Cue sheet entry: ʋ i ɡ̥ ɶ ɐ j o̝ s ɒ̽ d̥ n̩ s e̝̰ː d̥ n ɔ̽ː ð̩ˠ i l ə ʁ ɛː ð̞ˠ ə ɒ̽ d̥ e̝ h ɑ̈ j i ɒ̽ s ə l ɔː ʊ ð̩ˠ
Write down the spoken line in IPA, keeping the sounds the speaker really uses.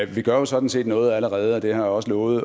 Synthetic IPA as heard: ʋ i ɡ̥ ɶ ɐ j o̝ s ɒ̽ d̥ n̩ s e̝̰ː d̥ n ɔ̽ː ð̩ˠ æ l ə ʁ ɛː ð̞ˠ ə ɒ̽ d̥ e̝ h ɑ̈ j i ɒ̽ s ə l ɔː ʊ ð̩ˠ

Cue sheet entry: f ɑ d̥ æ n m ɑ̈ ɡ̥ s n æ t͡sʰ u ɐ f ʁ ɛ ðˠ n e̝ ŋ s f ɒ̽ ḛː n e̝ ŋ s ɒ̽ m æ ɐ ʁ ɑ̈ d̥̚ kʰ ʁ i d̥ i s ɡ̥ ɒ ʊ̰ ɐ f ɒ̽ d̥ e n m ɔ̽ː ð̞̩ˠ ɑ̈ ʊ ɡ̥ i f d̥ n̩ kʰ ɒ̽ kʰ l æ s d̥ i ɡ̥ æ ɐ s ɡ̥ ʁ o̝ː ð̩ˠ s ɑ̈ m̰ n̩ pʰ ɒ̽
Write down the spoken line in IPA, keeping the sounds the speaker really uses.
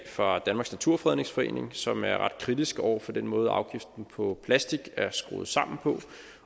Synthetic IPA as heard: f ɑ d̥ æ n m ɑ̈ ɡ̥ s n æ t͡sʰ u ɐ f ʁ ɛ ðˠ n e̝ ŋ s f ɒ̽ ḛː n e̝ ŋ s ɒ̽ m æ ɐ ʁ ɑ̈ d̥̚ kʰ ʁ i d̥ i s ɡ̥ ɒ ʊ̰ ɐ f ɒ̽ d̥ e n m ɔ̽ː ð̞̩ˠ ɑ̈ ʊ ɡ̥ i f d̥ n̩ pʰ ɒ̽ pʰ l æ s d̥ i ɡ̥ æ ɐ s ɡ̥ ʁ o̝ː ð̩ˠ s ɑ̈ m̰ n̩ pʰ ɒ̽

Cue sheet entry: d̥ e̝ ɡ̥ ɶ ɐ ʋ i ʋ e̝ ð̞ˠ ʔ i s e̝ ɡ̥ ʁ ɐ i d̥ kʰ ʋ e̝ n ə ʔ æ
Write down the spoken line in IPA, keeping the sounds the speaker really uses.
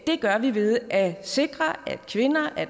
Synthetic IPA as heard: d̥ e̝ ɡ̥ ɶ ɐ ʋ i ʋ e̝ ð̞ˠ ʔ æ s e̝ ɡ̥ ʁ ɐ æ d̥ kʰ ʋ e̝ n ɐ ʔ æ

